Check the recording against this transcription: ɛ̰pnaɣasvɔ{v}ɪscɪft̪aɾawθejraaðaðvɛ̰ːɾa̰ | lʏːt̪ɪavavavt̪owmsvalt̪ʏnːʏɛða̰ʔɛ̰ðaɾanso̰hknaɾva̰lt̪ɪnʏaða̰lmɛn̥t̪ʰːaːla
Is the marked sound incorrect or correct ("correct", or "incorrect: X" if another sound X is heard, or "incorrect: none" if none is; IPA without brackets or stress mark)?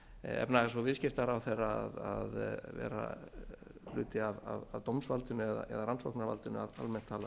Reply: correct